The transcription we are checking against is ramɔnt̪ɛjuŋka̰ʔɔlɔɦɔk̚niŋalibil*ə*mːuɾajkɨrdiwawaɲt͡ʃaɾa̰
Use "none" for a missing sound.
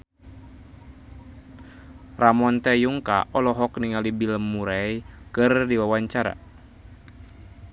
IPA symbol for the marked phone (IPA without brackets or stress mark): ə